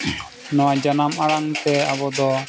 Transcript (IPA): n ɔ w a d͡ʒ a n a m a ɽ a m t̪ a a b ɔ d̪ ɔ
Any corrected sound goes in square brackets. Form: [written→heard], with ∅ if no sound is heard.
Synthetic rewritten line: n ɔ w a d͡ʒ a n a m a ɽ a [m→ŋ] t̪ [a→ɛ] a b ɔ d̪ ɔ